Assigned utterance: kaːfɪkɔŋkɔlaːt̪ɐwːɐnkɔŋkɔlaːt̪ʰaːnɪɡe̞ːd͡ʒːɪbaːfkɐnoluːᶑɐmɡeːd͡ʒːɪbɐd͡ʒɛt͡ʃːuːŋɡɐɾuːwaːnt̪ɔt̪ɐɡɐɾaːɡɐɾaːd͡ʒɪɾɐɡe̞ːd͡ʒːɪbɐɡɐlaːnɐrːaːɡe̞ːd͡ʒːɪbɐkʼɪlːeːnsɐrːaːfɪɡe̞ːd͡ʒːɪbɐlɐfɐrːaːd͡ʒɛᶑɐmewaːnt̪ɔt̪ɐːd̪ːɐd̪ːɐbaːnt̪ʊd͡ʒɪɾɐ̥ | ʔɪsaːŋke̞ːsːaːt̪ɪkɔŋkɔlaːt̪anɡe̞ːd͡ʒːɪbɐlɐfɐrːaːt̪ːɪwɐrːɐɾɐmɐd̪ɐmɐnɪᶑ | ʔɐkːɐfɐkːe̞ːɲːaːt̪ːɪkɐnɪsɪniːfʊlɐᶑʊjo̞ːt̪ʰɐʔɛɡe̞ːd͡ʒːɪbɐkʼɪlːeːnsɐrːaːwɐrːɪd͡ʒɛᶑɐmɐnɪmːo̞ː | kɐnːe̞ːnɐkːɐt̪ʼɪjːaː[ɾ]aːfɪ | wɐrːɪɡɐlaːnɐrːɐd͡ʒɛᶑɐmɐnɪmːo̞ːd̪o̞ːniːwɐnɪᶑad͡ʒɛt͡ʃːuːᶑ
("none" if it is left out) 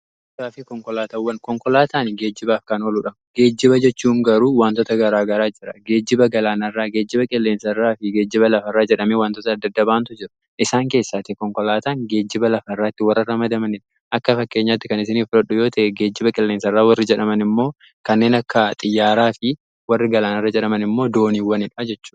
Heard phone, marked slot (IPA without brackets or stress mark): ɾ